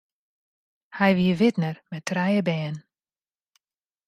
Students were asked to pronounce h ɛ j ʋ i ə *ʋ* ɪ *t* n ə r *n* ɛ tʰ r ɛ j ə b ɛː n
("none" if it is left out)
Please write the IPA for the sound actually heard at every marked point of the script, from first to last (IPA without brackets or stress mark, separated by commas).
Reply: ʋ, t, m